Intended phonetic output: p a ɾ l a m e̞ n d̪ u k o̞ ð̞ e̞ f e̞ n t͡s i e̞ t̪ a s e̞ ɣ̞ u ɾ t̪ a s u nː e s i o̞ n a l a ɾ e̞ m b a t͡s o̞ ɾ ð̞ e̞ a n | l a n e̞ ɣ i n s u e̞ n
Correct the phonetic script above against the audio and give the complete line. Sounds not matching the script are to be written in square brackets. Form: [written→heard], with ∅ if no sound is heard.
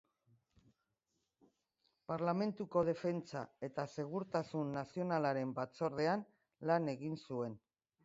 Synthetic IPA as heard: p a ɾ l a m e̞ n [d̪→t̪] u k o̞ ð̞ e̞ f e̞ n t͡s [i→a] e̞ t̪ a s e̞ ɣ̞ u ɾ t̪ a s u nː [e→a] s i o̞ n a l a ɾ e̞ m b a t͡s o̞ ɾ ð̞ e̞ a n | l a n e̞ ɣ i n s u e̞ n